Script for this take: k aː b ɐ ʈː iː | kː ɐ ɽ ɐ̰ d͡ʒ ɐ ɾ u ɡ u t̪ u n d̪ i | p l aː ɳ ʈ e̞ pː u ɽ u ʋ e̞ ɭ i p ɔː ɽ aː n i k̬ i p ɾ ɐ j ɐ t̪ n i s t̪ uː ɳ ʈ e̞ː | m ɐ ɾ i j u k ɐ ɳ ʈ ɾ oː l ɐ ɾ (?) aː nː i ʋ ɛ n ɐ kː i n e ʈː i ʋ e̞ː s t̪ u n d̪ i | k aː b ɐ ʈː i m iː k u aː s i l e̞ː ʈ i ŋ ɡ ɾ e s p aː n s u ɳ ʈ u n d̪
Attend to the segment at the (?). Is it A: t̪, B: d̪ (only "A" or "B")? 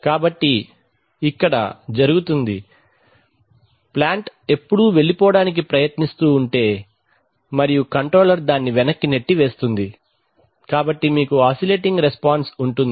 B